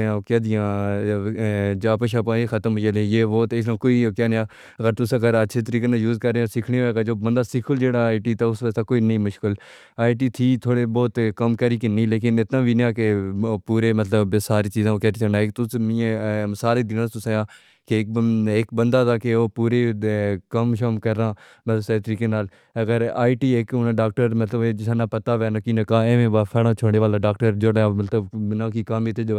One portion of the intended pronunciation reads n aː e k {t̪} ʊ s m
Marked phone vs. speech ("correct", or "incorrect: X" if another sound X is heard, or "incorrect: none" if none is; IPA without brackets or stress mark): correct